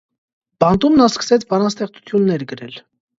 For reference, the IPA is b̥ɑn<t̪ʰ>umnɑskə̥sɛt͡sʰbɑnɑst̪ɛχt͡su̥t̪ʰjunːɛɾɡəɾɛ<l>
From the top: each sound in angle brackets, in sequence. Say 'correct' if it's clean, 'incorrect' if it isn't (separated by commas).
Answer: incorrect, correct